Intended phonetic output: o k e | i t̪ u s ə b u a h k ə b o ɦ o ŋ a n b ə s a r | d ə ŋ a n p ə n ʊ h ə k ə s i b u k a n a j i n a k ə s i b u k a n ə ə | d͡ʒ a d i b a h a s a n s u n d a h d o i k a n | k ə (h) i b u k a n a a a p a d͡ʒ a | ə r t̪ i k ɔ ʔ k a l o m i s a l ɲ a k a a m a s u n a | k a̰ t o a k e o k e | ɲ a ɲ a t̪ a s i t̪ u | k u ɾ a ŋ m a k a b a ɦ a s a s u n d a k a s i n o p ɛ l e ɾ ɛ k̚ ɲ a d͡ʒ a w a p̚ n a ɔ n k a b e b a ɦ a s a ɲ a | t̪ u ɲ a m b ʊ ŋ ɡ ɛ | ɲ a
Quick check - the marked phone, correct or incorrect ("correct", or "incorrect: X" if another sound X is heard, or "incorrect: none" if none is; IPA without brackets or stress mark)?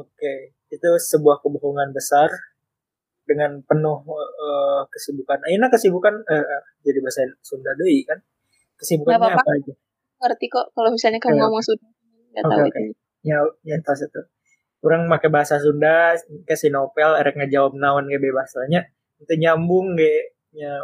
incorrect: s